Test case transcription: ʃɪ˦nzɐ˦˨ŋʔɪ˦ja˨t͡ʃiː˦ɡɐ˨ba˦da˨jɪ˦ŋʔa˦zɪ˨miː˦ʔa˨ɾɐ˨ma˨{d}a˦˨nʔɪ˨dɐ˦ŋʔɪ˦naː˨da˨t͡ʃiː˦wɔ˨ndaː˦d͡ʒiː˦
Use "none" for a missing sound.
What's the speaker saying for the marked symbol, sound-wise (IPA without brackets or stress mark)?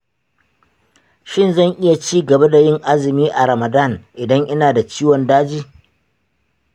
d